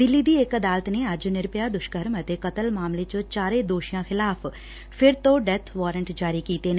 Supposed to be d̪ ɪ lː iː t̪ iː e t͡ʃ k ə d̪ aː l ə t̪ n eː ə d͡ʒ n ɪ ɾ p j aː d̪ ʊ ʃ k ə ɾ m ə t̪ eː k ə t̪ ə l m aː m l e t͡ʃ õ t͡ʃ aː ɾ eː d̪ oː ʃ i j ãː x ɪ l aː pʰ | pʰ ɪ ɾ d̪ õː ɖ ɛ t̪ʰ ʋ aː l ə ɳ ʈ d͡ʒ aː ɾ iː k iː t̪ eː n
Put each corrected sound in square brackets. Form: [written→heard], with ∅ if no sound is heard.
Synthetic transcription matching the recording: d̪ ɪ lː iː [t̪→d̪] iː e [t͡ʃ→∅] k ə d̪ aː l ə t̪ n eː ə d͡ʒ n ɪ ɾ p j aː d̪ ʊ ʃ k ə ɾ m ə t̪ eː k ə t̪ ə l m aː m l e t͡ʃ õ t͡ʃ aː ɾ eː d̪ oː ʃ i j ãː x ɪ l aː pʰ | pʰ ɪ ɾ [d̪→t̪] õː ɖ ɛ t̪ʰ ʋ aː [l→ɾ] ə ɳ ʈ d͡ʒ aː ɾ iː k iː t̪ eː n